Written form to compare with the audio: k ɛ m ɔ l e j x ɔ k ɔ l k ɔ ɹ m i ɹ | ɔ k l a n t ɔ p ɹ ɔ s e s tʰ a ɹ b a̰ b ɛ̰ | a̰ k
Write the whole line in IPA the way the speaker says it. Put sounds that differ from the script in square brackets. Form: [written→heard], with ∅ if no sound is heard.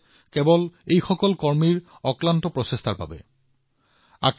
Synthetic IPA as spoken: k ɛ [m→b] ɔ l e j x ɔ k ɔ l k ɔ ɹ m i ɹ | ɔ k l a n t ɔ p ɹ ɔ s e s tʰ a ɹ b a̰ b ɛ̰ | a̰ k